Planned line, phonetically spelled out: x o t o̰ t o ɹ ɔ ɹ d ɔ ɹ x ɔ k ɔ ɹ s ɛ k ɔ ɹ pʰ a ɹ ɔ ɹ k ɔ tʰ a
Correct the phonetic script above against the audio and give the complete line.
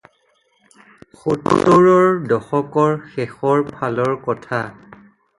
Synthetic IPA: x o t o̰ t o ɹ ɔ ɹ d ɔ x ɔ k ɔ ɹ x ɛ x ɔ ɹ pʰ a l ɔ ɹ k ɔ tʰ a